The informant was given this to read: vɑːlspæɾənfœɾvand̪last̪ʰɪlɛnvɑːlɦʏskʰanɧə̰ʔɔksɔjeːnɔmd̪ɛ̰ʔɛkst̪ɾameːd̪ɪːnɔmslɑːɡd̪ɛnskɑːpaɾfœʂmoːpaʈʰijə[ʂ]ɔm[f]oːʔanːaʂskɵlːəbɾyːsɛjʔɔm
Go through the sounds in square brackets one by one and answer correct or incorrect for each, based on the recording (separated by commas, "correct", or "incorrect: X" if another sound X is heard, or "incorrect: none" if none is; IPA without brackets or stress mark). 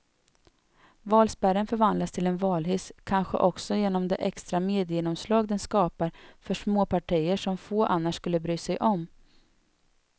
correct, correct